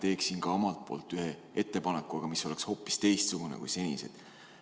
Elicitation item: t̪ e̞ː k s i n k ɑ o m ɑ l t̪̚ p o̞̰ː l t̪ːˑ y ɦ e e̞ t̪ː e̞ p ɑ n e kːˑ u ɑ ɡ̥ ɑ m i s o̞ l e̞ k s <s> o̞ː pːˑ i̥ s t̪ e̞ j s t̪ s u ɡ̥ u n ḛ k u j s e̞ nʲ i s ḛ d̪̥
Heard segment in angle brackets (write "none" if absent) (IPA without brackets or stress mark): h